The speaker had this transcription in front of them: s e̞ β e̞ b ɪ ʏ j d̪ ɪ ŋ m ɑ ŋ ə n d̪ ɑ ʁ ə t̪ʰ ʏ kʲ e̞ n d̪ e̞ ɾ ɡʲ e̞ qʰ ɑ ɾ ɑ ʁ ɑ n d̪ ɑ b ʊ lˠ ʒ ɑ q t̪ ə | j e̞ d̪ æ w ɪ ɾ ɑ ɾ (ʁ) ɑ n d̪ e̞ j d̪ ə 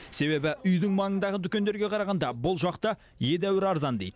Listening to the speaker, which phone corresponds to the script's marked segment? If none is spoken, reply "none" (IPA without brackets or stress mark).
z